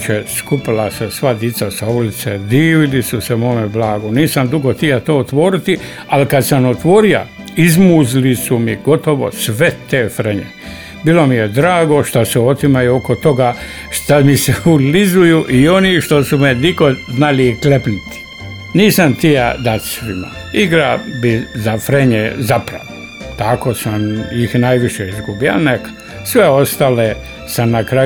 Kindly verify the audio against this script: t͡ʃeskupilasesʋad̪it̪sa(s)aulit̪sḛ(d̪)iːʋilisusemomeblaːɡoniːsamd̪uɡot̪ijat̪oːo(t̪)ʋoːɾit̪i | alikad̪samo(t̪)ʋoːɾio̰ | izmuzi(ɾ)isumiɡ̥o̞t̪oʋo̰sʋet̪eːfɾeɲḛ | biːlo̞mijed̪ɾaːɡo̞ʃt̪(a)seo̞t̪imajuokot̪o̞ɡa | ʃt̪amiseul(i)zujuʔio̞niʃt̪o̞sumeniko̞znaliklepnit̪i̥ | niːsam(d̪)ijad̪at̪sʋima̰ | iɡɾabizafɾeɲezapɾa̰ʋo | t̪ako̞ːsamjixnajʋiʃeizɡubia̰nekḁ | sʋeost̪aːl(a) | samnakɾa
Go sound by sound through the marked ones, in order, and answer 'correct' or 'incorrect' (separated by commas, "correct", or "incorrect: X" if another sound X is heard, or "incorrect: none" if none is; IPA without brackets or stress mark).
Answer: correct, correct, correct, correct, incorrect: l, correct, correct, incorrect: t̪, incorrect: e